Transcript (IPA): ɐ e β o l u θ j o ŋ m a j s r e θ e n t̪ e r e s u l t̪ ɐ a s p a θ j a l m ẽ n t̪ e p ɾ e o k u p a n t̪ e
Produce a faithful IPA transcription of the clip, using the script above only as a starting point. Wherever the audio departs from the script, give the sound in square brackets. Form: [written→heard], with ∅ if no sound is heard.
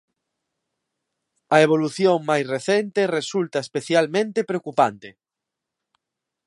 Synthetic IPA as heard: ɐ e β o l u θ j o ŋ m a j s r e θ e n t̪ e r e s u l t̪ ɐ [a→e] s p [a→e] θ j a l m ẽ n t̪ e p ɾ e o k u p a n t̪ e